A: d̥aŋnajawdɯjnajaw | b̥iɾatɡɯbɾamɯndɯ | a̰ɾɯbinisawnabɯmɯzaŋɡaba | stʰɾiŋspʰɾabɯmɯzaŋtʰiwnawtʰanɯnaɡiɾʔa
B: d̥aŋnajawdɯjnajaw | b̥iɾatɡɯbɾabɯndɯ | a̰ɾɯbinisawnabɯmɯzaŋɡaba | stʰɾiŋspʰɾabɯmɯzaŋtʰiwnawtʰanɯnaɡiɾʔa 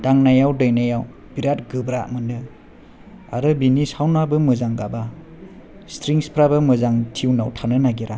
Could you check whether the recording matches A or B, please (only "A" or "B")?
A